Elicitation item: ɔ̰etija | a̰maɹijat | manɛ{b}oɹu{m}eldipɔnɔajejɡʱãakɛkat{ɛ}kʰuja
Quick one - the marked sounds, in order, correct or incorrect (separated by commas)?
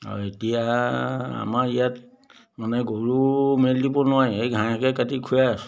incorrect, correct, incorrect